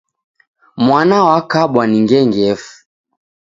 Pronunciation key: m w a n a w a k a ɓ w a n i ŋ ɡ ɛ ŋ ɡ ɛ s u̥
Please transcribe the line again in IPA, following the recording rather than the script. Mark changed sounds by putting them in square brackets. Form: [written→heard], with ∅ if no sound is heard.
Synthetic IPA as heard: m w a n a w a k a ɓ w a n i ŋ ɡ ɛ ŋ ɡ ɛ [s→f] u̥

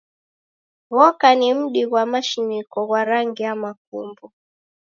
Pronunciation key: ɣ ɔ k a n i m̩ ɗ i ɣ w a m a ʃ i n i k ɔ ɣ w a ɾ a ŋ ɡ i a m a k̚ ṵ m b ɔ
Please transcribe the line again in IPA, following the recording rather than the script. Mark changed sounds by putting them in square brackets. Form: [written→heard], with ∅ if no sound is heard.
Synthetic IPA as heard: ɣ ɔ k a n i m̩ ɗ i ɣ w a m a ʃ i n i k ɔ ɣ w a ɾ a ŋ ɡ i a m a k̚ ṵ m b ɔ

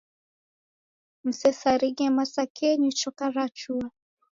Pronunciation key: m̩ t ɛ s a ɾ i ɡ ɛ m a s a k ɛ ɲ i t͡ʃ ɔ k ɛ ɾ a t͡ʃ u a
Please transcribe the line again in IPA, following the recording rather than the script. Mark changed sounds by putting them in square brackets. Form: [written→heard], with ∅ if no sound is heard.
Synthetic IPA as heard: m̩ [t→s] ɛ s a ɾ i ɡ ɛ m a s a k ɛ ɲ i t͡ʃ ɔ k [ɛ→a] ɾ a t͡ʃ u a

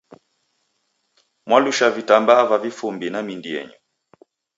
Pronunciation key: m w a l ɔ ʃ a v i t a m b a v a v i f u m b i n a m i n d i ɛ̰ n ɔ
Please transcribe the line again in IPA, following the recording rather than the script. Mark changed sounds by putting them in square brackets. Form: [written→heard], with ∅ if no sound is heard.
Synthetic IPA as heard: m w a l [ɔ→u] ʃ a v i t a m b a v a v i f u m b i n a m i n d i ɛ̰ [n→ɲ] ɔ

